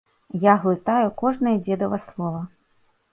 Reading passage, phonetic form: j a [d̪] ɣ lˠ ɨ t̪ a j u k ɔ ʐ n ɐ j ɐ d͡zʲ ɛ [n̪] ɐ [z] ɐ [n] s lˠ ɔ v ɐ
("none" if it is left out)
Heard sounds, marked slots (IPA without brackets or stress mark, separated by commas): none, d̪, v, none